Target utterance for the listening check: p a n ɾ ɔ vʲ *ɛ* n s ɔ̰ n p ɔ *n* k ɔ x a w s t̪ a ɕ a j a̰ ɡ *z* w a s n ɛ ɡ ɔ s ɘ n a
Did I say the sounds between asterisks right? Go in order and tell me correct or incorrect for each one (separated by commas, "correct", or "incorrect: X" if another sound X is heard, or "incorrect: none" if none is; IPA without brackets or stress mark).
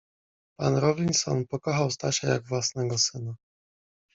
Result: incorrect: i, incorrect: none, incorrect: v